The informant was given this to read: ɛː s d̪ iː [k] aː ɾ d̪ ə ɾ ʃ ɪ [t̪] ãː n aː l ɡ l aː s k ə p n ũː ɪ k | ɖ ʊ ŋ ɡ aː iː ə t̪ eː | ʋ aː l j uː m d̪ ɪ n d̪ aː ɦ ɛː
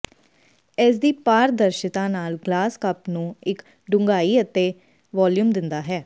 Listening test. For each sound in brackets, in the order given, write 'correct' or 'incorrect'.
incorrect, correct

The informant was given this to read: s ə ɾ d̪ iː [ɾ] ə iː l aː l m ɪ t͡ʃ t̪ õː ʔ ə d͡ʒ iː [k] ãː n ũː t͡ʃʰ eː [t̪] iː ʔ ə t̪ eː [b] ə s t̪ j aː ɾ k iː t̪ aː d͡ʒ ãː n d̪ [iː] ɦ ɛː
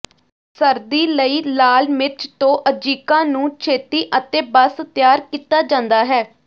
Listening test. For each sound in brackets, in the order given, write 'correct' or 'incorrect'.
incorrect, correct, correct, correct, incorrect

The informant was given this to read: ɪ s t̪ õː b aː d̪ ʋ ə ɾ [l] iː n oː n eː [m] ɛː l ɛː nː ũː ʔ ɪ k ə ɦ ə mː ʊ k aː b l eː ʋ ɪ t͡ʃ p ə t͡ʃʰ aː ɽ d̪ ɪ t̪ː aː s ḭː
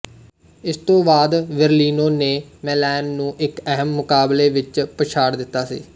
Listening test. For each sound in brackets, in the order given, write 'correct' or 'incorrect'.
correct, correct

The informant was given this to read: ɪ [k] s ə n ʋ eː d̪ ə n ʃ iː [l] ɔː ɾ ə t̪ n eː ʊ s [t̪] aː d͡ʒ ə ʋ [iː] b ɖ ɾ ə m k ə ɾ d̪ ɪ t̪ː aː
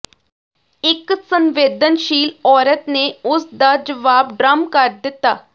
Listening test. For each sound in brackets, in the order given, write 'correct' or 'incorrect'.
correct, correct, incorrect, incorrect

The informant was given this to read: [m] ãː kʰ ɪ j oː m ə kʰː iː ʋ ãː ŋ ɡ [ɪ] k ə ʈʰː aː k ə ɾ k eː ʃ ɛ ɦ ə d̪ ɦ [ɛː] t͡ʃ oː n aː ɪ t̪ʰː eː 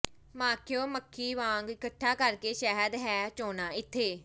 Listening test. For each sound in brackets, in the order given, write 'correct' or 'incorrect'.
correct, correct, correct

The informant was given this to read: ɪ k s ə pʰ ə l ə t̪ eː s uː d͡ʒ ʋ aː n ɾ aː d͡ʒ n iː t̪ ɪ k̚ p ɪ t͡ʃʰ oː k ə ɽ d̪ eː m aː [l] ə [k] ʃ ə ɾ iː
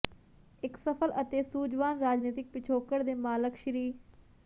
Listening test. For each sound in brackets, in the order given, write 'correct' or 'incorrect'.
correct, correct

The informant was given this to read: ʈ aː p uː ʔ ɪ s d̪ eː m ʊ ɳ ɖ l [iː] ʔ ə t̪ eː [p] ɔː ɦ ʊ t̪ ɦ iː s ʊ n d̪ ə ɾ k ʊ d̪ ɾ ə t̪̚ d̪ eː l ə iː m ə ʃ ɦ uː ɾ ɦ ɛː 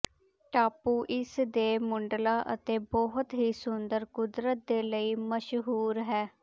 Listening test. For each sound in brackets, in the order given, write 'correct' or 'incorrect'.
incorrect, incorrect

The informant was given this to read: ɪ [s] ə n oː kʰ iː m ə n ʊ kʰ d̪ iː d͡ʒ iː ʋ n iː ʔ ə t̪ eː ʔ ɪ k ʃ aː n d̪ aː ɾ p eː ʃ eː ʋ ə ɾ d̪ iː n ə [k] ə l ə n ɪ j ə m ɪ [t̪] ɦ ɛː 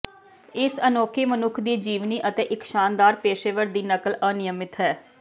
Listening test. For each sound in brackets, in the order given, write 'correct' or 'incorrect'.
correct, correct, correct

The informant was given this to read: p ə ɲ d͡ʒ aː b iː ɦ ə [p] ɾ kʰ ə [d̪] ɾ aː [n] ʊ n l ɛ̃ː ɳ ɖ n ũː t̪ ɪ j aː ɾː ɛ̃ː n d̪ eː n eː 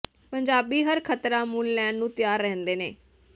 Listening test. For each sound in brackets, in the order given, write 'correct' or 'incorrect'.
incorrect, incorrect, incorrect

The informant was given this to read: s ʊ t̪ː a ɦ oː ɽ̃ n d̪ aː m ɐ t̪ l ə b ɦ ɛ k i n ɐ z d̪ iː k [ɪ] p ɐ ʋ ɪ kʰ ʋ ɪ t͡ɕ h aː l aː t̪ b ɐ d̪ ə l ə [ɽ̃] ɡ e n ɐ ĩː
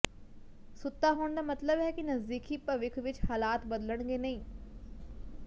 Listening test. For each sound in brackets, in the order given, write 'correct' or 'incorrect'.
incorrect, correct

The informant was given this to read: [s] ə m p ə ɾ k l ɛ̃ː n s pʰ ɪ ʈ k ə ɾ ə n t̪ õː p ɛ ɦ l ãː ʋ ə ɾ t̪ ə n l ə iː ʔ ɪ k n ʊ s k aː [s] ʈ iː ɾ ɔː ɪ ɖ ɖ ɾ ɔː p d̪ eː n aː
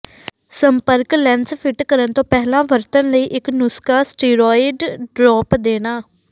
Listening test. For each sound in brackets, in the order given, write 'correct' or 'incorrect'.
correct, correct

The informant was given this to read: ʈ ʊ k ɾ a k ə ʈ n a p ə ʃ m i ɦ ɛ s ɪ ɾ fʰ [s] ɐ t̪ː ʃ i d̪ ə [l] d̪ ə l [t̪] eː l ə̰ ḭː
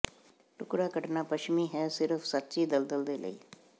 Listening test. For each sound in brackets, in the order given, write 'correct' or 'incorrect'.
correct, correct, incorrect

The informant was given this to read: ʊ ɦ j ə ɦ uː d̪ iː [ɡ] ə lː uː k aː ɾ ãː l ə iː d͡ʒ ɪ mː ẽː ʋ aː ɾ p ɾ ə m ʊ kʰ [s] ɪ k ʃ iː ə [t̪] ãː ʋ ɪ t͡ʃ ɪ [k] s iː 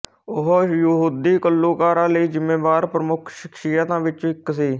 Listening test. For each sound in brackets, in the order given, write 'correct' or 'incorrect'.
incorrect, incorrect, correct, correct

